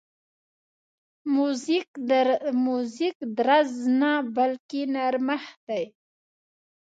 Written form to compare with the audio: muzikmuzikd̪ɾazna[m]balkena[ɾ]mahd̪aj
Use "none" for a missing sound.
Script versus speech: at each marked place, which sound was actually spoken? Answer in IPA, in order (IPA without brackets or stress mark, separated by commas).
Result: none, ɾ